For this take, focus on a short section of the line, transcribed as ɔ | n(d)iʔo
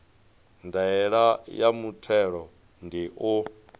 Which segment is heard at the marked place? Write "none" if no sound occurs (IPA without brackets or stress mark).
d